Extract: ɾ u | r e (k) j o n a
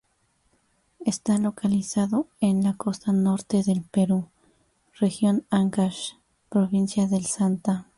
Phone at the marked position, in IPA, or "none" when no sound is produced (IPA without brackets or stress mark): x